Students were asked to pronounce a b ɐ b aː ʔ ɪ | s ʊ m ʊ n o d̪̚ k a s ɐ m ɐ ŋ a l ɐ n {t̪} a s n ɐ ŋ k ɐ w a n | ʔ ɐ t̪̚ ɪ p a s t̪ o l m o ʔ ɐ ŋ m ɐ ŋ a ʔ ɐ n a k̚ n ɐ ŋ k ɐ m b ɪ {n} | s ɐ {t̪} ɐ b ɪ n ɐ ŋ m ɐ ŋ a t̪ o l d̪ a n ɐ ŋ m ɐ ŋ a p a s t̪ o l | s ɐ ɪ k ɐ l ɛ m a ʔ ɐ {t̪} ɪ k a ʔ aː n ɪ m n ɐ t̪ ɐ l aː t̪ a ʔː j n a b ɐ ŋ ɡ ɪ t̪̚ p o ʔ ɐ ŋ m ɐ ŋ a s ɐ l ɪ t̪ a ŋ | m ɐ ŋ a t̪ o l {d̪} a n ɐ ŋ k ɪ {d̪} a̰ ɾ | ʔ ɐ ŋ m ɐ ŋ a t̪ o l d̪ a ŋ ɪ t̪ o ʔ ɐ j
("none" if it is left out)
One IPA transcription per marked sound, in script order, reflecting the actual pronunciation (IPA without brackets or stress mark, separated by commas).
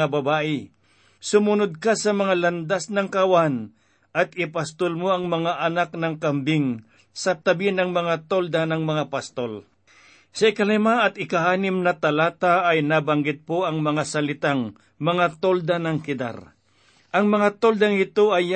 d̪, ŋ, t̪, t̪, d̪, d̪